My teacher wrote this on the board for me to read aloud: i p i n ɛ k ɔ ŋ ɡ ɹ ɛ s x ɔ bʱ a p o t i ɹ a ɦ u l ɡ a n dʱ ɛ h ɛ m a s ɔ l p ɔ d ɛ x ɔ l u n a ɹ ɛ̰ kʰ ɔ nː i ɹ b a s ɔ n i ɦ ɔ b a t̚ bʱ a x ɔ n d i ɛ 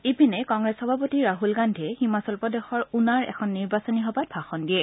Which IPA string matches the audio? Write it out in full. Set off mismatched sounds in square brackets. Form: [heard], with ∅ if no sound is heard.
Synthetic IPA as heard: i p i n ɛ k ɔ ŋ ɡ ɹ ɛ s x ɔ bʱ a p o t i ɹ a ɦ u l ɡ a n dʱ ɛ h [i] m a s ɔ l p ɔ d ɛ x ɔ [ɹ] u n a ɹ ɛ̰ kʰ ɔ nː i ɹ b a s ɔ n i ɦ ɔ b a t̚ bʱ a x ɔ n d i ɛ